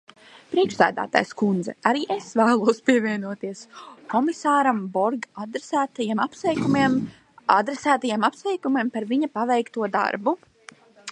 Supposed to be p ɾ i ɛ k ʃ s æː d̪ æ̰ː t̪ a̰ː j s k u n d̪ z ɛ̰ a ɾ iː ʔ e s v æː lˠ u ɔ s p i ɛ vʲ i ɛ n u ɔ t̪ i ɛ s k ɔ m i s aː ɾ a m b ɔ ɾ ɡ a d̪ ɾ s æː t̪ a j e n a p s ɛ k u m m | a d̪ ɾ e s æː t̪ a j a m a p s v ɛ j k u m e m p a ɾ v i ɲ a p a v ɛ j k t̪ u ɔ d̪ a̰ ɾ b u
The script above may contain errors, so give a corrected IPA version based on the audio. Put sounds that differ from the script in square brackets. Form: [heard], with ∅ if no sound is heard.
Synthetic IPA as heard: p ɾ i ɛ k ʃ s æː d̪ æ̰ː t̪ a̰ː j s k u n d̪ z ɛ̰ a ɾ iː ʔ e s v æː lˠ u ɔ s p i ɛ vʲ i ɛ n u ɔ t̪ i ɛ s k ɔ m i s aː ɾ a m b ɔ ɾ ɡ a d̪ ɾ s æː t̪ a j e [m] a p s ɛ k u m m | a d̪ ɾ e s æː t̪ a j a m a p s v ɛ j k u m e m p a ɾ v i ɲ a p a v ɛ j k t̪ u ɔ d̪ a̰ ɾ b u